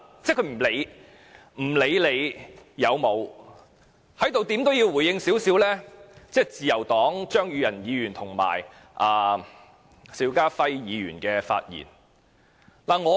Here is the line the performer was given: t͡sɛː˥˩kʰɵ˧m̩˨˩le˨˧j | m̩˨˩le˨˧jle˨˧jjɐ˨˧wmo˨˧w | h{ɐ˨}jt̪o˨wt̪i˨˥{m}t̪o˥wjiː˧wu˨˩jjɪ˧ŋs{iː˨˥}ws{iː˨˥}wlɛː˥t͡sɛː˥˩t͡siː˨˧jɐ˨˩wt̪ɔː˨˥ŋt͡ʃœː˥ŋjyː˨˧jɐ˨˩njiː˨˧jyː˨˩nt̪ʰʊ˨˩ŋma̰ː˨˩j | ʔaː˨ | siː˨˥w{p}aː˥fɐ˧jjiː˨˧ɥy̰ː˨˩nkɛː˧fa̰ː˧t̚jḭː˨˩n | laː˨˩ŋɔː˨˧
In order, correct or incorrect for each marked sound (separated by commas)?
incorrect, correct, correct, correct, incorrect